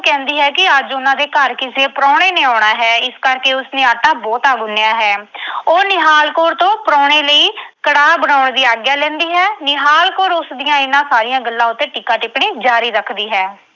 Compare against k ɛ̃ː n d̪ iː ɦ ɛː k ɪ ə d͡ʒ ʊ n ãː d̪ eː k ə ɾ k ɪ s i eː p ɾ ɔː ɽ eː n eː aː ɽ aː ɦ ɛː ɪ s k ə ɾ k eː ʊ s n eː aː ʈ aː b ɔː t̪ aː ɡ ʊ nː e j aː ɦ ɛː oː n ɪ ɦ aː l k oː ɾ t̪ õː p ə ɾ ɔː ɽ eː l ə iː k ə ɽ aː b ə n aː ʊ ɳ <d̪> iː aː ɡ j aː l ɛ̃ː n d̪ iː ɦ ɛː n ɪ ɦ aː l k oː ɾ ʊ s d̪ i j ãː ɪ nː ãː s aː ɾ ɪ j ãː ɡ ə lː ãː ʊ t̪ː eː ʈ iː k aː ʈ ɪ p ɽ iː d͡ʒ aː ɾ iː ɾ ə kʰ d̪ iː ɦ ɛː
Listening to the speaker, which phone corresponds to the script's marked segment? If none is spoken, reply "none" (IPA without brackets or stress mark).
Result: d̪